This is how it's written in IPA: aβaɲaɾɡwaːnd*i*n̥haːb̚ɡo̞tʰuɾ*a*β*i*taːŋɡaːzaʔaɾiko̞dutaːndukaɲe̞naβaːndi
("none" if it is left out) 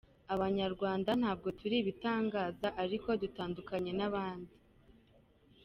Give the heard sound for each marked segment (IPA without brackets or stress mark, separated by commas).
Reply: a, i, i